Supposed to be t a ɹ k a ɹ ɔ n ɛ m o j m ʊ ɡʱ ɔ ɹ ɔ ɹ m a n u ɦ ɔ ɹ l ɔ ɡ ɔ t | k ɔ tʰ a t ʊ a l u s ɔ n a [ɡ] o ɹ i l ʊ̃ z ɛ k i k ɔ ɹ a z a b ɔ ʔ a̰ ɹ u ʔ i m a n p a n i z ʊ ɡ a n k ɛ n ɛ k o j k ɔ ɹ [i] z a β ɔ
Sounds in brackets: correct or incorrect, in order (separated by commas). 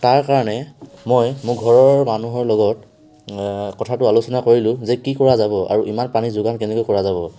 incorrect, incorrect